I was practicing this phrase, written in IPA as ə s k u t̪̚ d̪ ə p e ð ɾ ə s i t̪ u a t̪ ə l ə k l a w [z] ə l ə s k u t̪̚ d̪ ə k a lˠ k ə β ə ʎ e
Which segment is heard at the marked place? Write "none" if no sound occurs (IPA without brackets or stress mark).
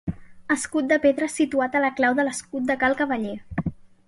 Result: ð